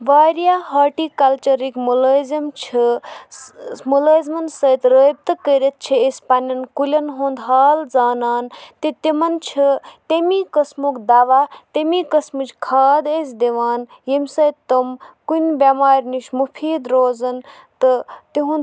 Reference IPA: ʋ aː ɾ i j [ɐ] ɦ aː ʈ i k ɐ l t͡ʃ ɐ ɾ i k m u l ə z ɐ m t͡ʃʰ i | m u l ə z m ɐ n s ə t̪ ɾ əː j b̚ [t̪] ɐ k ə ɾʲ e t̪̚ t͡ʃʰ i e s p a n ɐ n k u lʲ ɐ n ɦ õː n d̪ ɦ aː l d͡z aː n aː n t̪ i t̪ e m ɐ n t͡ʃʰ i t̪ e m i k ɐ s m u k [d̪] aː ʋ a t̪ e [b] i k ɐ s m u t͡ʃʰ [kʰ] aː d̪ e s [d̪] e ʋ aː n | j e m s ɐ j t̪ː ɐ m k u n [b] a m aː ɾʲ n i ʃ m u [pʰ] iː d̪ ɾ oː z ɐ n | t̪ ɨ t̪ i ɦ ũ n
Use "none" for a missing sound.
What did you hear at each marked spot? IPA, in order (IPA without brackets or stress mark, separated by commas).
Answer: a, t̪, d̪, m, kʰ, d̪, b, pʰ